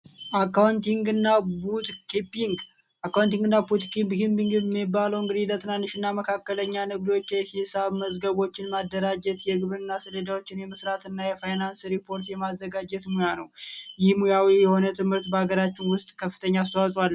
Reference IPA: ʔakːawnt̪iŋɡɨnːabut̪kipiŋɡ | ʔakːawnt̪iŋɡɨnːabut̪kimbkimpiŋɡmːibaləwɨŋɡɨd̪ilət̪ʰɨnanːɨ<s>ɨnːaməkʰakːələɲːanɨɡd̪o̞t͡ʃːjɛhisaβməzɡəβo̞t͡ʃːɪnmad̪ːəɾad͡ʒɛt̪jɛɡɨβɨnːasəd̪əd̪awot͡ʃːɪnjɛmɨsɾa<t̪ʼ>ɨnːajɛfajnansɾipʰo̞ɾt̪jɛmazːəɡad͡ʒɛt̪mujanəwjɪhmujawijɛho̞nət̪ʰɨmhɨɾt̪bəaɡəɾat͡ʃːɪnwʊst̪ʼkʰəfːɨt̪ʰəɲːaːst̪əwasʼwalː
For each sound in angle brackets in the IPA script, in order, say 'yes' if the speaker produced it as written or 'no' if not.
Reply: no, no

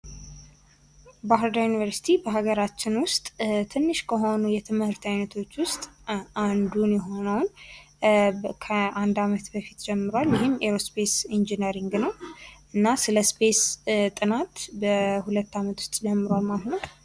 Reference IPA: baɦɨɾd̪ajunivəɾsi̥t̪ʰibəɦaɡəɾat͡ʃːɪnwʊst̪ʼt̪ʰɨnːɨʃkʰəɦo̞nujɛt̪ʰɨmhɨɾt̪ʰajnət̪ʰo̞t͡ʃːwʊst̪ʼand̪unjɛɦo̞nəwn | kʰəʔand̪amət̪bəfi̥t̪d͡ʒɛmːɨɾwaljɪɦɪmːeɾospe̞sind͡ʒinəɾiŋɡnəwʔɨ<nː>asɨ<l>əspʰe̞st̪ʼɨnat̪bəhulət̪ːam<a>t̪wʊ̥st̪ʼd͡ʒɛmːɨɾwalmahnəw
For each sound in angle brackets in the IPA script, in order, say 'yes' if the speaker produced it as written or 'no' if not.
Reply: yes, yes, no

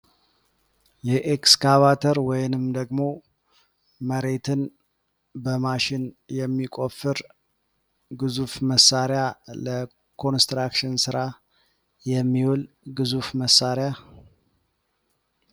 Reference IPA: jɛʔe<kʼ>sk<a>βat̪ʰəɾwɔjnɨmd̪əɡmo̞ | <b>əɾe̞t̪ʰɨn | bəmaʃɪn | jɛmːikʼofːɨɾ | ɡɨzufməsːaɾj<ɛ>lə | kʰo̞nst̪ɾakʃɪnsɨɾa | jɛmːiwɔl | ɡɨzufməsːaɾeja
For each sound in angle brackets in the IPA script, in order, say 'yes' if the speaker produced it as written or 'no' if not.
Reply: no, yes, no, no

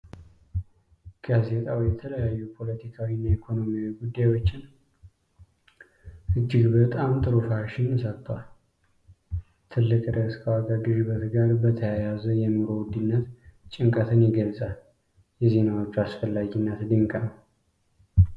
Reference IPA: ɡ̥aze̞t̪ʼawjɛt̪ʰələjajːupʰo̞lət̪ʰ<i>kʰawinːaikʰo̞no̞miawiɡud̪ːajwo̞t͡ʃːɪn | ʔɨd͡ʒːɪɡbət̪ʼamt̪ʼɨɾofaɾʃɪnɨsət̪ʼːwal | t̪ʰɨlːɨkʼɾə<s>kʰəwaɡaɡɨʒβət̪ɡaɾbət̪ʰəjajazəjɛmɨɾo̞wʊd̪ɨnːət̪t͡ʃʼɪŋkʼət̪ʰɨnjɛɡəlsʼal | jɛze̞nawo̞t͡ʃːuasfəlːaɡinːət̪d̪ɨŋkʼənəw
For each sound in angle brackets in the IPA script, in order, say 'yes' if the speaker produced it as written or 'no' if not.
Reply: yes, yes

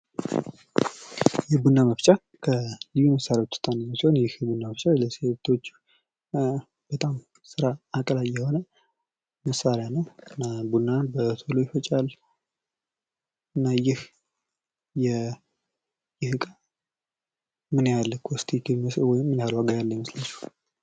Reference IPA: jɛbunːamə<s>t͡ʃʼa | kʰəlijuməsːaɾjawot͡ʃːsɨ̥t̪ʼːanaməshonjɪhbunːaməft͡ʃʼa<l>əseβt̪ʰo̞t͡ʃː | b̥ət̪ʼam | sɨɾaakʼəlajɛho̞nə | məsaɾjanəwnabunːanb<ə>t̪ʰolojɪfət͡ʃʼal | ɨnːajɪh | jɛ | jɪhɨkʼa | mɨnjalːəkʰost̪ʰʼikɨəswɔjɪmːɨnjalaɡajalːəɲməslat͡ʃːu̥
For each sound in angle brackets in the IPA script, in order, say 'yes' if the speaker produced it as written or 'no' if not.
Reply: no, yes, yes

